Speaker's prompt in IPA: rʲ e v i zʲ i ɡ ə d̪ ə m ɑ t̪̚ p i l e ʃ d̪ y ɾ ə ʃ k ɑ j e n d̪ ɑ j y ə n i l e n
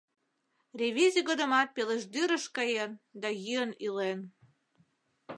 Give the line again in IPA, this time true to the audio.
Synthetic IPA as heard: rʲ e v i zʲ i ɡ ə d̪ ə m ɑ t̪̚ p e l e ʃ d̪ y ɾ ə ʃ k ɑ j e n d̪ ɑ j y ə n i l e n